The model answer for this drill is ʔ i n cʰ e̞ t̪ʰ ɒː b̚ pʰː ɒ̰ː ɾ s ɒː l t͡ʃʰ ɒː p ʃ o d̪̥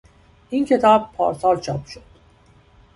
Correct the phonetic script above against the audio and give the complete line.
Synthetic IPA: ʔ i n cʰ e̞ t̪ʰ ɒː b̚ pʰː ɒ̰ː ɾ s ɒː l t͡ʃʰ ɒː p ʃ o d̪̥